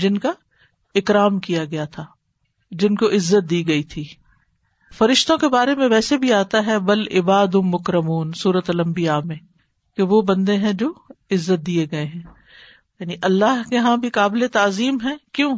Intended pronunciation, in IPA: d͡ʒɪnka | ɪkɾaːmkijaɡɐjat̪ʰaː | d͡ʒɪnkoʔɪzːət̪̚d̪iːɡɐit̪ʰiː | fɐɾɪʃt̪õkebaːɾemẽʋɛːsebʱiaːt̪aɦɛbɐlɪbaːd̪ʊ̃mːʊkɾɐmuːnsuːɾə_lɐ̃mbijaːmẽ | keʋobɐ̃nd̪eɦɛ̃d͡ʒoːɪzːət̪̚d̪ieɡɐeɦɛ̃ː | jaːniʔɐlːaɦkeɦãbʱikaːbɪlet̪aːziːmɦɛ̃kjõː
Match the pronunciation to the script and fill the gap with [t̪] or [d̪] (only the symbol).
t̪